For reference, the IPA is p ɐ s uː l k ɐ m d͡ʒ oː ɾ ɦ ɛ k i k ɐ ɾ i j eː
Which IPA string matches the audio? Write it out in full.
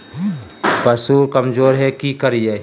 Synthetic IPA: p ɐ s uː ɾ k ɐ m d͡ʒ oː ɾ ɦ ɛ k i k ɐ ɾ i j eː